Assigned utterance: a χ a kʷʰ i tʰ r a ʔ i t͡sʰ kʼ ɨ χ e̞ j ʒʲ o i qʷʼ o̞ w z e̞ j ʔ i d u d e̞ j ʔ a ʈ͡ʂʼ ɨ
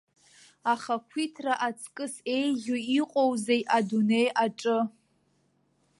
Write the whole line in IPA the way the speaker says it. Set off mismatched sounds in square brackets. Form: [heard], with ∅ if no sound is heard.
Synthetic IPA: a χ a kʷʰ i tʰ r a ʔ [a] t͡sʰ kʼ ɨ [s] e̞ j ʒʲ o i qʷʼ o̞ w z e̞ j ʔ [a] d u [n] e̞ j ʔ a ʈ͡ʂʼ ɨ